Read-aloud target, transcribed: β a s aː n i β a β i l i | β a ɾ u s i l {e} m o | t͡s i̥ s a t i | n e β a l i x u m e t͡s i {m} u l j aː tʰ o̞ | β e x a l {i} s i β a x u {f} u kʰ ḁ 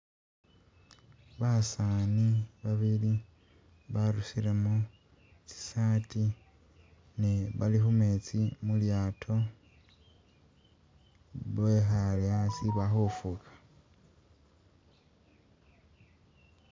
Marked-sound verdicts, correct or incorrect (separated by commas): correct, correct, incorrect, correct